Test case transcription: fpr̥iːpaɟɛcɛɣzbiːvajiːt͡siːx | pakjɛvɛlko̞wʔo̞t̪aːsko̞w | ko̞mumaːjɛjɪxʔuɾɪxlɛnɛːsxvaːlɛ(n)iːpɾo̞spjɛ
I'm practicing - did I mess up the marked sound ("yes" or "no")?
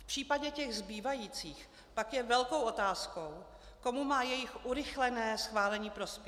yes